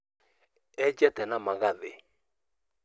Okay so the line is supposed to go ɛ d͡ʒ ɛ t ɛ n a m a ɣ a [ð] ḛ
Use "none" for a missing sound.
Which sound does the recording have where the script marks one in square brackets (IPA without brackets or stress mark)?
ð